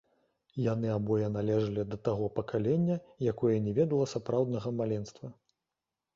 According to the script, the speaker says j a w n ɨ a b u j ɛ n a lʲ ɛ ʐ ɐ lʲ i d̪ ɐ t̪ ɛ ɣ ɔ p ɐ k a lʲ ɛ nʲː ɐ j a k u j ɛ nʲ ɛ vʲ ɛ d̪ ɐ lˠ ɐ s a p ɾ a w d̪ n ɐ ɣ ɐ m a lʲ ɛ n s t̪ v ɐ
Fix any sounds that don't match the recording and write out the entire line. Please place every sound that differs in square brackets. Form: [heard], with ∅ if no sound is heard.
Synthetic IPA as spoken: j a [∅] n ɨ a b [ɔ] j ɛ n a lʲ ɛ ʐ ɐ lʲ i d̪ ɐ t̪ [a] ɣ ɔ p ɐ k a lʲ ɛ nʲː ɐ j a k [ɔ] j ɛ nʲ ɛ vʲ ɛ d̪ ɐ lˠ ɐ s a p ɾ a w d̪ n ɐ ɣ ɐ m a lʲ ɛ n s t̪ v ɐ